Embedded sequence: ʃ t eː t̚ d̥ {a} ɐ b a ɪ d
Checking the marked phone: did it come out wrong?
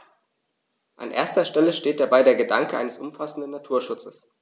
no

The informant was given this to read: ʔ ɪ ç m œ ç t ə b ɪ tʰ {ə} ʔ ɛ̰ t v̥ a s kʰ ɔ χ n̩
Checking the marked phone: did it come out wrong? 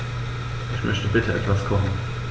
no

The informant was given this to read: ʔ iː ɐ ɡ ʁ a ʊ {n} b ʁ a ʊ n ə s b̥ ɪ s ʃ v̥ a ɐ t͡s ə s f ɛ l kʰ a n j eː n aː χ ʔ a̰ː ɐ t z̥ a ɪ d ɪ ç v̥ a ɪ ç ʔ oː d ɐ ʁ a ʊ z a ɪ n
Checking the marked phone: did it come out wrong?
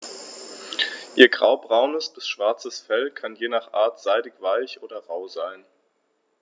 yes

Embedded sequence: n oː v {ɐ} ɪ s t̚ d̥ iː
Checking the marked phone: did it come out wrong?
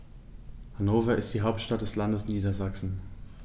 no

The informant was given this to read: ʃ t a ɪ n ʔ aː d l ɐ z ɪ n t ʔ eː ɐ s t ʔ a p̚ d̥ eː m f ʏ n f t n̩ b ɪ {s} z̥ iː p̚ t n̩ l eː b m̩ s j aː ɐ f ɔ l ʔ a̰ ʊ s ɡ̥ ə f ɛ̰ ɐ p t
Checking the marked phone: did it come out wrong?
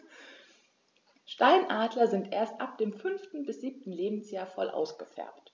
no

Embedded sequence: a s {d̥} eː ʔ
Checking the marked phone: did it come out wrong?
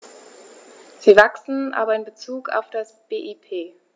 yes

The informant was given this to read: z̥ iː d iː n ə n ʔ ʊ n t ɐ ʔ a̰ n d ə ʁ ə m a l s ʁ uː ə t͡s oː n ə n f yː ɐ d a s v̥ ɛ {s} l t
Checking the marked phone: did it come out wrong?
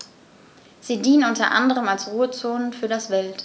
yes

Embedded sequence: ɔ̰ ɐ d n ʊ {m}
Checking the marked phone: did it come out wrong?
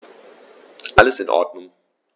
yes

